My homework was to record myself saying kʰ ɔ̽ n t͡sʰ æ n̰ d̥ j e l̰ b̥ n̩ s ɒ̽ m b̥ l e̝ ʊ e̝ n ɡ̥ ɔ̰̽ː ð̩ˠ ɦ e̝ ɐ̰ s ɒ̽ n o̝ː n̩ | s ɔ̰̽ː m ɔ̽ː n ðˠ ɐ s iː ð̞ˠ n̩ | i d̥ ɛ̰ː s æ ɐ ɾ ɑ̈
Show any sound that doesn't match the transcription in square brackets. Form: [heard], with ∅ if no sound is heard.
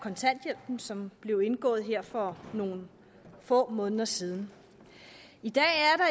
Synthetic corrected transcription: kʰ [ɒ̽] n t͡sʰ æ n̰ d̥ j e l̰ b̥ n̩ s ɒ̽ m b̥ l e̝ ʊ e̝ n ɡ̥ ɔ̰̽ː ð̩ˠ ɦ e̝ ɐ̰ [f] ɒ̽ n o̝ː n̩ | [f] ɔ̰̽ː m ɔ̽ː n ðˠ ɐ s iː ð̞ˠ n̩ | i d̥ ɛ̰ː [∅] æ ɐ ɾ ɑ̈